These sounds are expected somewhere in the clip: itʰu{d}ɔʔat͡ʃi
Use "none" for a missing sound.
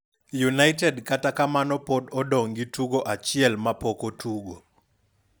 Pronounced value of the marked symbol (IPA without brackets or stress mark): ɡ